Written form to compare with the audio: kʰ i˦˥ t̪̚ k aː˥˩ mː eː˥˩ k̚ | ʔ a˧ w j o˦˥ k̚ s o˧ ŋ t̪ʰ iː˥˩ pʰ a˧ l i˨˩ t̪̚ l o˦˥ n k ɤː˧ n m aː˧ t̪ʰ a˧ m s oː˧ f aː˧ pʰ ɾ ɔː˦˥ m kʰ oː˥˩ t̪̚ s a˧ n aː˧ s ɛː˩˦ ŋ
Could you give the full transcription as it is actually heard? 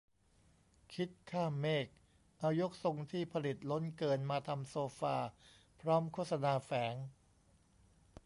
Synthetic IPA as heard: kʰ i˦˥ t̪̚ kʰ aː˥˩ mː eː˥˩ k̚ | ʔ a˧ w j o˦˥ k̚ s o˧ ŋ t̪ʰ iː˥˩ pʰ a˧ l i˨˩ t̪̚ l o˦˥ n k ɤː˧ n m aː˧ t̪ʰ a˧ m s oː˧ f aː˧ pʰ ɾ ɔː˦˥ m kʰ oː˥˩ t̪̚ s a˧ n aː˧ f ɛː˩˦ ŋ